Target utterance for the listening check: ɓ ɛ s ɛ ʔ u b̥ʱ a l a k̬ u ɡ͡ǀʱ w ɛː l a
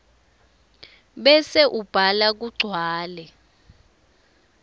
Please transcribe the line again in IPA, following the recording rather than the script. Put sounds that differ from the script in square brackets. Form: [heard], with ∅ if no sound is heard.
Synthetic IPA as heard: ɓ ɛ s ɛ ʔ u b̥ʱ a l a k̬ u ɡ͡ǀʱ w [aː] l [ɛ]